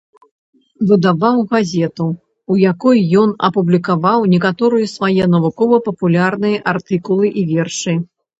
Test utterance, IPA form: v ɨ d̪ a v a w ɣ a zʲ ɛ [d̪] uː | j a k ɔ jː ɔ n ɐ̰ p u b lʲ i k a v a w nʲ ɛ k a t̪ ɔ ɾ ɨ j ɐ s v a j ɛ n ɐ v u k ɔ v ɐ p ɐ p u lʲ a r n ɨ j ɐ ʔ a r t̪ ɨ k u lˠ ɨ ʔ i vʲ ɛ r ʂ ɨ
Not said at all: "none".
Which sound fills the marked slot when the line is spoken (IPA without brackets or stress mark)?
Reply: t̪